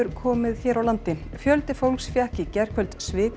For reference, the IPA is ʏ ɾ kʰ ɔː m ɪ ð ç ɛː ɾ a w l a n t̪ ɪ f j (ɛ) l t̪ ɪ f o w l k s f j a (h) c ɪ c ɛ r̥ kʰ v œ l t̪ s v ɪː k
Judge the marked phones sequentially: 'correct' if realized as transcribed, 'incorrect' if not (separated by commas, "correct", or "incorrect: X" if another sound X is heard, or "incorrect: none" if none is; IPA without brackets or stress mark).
incorrect: œ, correct